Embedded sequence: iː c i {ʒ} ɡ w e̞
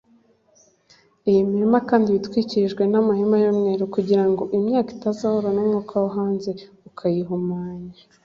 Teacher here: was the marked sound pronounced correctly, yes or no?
yes